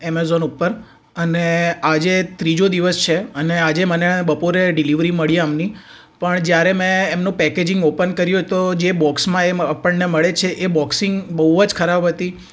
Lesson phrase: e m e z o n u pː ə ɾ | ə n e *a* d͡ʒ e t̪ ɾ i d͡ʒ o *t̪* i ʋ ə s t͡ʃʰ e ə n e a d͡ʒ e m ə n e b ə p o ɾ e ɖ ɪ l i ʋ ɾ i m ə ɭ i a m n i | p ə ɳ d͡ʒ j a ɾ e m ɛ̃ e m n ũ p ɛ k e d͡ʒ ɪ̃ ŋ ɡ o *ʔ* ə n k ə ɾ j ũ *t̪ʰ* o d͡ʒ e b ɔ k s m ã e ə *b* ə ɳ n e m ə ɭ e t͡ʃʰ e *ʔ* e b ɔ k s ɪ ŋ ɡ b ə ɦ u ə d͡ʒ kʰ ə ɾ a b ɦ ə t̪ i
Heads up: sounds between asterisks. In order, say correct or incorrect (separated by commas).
correct, incorrect, incorrect, incorrect, incorrect, correct